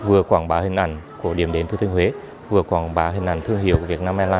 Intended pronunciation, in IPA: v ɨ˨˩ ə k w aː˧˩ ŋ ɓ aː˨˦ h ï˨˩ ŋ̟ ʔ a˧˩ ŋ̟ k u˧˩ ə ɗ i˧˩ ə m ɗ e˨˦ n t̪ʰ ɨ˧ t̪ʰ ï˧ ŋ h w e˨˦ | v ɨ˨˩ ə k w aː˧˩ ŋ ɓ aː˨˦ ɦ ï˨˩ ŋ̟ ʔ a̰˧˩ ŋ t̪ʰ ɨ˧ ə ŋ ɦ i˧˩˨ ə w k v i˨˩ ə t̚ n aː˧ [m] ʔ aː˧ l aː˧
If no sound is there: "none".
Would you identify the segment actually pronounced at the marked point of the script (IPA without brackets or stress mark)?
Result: m